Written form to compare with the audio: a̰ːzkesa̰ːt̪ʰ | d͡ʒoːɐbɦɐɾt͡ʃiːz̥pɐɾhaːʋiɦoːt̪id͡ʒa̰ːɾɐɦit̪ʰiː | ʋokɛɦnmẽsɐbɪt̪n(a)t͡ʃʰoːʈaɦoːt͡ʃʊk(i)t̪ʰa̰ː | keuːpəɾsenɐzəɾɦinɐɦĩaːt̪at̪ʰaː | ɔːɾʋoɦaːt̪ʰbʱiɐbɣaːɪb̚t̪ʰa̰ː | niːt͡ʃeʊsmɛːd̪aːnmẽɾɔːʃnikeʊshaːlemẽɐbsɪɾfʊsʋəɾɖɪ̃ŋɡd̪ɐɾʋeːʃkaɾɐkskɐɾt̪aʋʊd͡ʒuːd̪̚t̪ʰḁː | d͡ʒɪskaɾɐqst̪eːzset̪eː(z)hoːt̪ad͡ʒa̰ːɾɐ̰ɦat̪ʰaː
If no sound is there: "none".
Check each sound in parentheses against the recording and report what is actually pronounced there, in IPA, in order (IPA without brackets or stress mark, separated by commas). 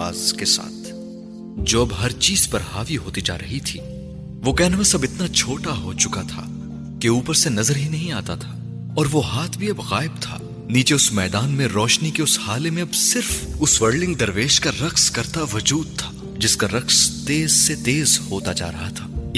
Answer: a, a, z